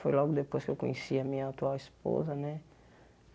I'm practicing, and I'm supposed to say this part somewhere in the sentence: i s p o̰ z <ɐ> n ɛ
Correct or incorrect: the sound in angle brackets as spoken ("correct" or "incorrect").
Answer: correct